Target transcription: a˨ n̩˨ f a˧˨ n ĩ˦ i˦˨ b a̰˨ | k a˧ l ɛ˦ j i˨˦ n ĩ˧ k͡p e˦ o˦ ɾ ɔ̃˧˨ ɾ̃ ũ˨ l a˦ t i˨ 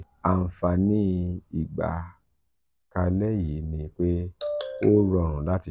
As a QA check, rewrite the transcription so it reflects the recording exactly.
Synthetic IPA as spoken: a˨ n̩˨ f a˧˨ n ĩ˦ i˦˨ ɡ͡b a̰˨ | k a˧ l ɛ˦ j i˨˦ n ĩ˧ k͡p e˦ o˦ ɾ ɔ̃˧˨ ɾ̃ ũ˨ l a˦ t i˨